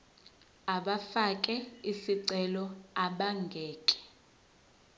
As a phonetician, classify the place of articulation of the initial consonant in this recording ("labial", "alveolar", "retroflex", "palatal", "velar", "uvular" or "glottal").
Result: labial